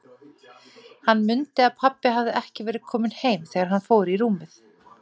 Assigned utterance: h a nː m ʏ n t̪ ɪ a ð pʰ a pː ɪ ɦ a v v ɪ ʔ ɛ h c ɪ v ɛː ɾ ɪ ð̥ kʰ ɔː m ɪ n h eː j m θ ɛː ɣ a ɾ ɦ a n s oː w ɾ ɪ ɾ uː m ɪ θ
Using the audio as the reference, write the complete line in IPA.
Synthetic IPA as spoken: h a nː m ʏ n t̪ ɪ a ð pʰ a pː ɪ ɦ a v ð ɪ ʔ ɛ h c ɪ v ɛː ɾ ɪ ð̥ kʰ ɔː m ɪ n h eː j m θ ɛː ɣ a ɾ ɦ a n f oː w ɾ i ɾ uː m ɪ θ